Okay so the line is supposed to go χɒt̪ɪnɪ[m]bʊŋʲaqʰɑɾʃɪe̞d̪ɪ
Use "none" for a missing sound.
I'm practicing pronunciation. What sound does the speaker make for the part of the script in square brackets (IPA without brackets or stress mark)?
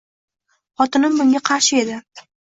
m